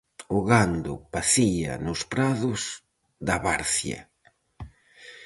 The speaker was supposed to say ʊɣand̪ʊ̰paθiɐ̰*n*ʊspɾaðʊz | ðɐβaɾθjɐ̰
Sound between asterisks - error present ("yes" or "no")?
no